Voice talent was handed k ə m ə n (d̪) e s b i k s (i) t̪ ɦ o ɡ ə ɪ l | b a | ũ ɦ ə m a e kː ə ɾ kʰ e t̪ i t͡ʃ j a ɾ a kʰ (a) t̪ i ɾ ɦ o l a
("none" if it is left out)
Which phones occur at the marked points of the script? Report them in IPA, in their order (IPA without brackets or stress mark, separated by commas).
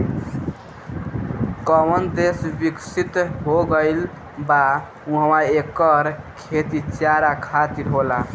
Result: d̪, i, a